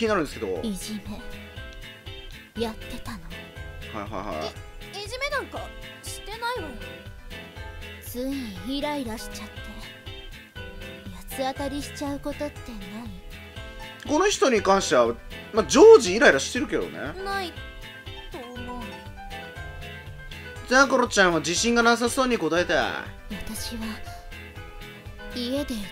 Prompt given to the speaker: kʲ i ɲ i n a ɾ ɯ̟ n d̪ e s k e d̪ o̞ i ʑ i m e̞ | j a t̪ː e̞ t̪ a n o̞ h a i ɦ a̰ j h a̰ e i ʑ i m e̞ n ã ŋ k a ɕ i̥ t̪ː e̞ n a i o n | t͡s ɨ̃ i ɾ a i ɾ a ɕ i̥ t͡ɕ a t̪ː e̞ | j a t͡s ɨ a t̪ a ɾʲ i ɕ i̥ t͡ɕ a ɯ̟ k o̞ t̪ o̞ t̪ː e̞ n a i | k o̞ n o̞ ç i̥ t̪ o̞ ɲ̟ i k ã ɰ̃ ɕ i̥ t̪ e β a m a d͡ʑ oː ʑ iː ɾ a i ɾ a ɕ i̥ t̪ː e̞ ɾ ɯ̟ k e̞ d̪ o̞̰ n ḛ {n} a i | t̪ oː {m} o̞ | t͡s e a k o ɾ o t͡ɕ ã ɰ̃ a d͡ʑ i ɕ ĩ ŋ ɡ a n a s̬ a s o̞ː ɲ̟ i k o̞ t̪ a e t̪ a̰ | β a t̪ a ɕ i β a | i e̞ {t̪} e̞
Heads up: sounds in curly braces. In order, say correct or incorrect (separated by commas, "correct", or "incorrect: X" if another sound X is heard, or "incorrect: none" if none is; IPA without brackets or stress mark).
correct, correct, incorrect: d̪